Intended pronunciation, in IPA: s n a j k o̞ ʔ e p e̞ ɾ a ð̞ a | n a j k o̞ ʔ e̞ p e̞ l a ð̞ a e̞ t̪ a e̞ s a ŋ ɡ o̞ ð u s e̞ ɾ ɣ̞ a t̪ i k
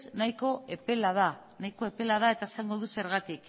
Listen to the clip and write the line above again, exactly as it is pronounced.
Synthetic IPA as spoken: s n a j k o̞ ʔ e p e̞ l a ð̞ a | n a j k o̞ e̞ p e̞ l a ð̞ a e̞ t̪ a e̞ s a ŋ ɡ o̞ ð u s e̞ ɾ ɣ̞ a t̪ i k